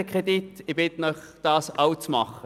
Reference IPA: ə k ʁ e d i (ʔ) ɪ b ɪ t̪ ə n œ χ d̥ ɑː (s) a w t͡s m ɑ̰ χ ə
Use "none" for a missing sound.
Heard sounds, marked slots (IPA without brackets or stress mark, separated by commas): t, s